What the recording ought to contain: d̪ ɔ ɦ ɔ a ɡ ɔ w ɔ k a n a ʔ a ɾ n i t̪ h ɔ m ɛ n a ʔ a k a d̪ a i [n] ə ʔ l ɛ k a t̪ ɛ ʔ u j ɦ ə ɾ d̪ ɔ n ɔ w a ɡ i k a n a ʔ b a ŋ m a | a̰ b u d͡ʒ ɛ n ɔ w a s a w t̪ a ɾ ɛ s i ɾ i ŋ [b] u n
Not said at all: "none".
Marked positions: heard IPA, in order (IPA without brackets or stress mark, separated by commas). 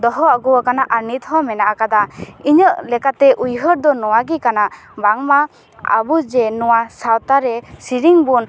ɲ, b